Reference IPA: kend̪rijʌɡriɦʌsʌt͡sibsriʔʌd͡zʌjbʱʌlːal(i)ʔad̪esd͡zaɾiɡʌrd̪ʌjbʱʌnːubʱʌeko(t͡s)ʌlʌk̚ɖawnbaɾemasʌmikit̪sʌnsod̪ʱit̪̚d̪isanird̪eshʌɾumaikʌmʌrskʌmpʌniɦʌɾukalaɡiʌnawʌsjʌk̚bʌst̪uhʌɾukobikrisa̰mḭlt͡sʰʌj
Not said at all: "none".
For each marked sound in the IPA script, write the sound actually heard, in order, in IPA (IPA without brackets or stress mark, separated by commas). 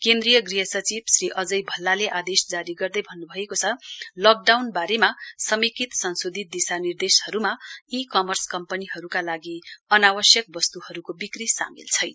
e, t͡sʰ